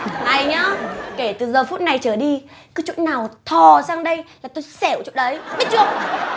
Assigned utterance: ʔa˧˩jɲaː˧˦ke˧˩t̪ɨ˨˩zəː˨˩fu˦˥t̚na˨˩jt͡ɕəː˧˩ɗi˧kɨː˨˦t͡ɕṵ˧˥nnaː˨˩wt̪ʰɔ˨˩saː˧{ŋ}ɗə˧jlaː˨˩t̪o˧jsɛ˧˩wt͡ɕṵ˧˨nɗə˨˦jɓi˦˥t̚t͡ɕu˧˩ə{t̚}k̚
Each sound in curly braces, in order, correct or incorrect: correct, incorrect: none

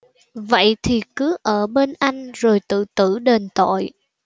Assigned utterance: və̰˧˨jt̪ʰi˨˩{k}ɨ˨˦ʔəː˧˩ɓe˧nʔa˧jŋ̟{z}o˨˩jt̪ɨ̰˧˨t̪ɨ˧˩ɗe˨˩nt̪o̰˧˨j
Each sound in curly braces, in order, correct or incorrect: correct, correct

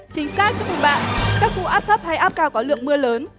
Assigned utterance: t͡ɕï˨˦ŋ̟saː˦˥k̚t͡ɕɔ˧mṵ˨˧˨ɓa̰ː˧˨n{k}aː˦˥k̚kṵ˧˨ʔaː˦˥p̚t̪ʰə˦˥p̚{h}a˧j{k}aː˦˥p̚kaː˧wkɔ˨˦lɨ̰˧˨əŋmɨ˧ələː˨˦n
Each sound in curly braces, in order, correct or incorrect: correct, correct, incorrect: ʔ

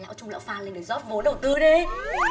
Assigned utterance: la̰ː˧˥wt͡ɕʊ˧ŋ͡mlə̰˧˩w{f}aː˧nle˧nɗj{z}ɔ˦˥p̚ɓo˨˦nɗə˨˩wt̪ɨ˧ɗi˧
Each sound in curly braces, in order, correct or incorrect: correct, correct

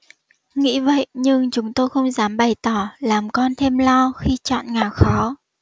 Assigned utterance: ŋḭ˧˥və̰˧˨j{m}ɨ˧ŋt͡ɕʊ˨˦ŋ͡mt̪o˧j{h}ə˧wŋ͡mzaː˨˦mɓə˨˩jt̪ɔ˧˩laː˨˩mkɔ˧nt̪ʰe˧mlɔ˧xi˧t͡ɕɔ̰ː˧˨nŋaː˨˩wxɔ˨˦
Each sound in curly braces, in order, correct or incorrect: incorrect: ɲ, incorrect: x

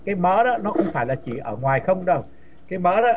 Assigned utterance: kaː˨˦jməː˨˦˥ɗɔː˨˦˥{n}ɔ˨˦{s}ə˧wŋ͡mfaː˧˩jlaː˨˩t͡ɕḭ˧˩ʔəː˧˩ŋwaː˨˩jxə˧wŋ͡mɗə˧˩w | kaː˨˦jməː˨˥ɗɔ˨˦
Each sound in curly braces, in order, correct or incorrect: correct, incorrect: x

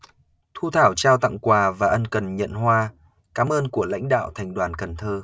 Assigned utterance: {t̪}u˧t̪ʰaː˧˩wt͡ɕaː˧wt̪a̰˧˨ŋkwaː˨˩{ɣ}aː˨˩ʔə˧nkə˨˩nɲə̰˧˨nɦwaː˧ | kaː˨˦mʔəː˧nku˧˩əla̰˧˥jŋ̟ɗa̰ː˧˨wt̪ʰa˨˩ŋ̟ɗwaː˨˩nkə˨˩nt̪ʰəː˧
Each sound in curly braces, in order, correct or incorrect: incorrect: t̪ʰ, incorrect: v

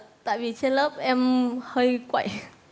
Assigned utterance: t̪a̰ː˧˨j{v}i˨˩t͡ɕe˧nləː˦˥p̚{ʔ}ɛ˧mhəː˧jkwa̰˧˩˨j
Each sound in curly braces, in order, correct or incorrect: correct, correct

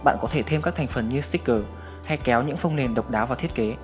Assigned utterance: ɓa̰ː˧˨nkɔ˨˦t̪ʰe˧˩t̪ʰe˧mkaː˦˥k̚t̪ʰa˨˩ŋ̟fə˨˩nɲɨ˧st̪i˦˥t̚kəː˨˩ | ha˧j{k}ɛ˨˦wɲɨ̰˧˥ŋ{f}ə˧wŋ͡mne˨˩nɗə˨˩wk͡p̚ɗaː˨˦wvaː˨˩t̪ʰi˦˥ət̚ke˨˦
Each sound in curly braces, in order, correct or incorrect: correct, correct

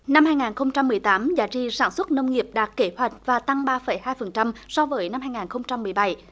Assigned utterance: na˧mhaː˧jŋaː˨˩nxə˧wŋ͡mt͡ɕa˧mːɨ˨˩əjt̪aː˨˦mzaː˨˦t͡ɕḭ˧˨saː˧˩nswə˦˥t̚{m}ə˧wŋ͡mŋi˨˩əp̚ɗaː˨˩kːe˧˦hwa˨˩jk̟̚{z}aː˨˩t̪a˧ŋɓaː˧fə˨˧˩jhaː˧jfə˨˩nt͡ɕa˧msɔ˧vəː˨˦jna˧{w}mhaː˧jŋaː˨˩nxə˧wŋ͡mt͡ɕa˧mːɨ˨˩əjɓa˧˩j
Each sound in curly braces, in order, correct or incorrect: incorrect: n, incorrect: v, incorrect: none

